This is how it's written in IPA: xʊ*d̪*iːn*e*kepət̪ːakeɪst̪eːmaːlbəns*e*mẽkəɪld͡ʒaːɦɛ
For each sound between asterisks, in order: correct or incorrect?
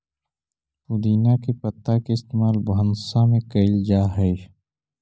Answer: correct, incorrect, incorrect

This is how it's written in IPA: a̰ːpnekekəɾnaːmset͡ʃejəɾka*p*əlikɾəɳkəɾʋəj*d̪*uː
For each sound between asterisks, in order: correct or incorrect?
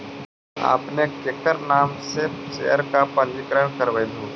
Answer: correct, correct

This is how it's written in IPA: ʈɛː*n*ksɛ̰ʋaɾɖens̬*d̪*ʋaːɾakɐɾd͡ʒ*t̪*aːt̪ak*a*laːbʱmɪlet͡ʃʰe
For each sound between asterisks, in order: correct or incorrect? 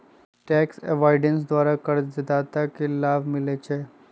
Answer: incorrect, correct, incorrect, incorrect

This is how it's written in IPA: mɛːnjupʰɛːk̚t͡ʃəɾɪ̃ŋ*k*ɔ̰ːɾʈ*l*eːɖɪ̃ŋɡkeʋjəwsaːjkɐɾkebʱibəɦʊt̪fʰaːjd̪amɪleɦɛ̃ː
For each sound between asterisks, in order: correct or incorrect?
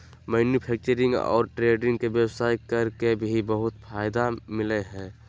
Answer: incorrect, incorrect

